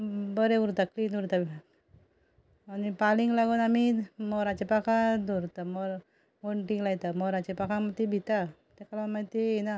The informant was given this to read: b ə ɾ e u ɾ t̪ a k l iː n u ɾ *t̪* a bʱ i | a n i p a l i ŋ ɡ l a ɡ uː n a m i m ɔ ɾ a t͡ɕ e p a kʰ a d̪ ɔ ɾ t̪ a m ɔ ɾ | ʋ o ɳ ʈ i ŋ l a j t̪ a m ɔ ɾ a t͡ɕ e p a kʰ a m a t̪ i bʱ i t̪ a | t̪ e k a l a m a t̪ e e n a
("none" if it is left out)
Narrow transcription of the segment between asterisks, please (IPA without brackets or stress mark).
t̪